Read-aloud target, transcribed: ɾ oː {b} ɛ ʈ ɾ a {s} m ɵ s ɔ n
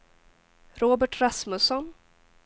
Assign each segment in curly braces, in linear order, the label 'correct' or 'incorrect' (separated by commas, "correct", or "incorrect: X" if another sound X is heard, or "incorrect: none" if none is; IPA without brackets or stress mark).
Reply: correct, correct